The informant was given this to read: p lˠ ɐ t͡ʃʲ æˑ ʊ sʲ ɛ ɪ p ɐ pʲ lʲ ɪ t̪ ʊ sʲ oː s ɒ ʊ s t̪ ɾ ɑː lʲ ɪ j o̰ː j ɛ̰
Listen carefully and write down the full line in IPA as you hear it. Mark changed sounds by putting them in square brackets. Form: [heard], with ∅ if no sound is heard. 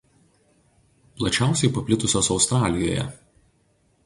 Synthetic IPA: p lˠ ɐ t͡ʃʲ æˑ ʊ sʲ ɛ ɪ p ɐ pʲ lʲ ɪ t̪ ʊ sʲ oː s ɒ ʊ s t̪ ɾ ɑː lʲ ɪ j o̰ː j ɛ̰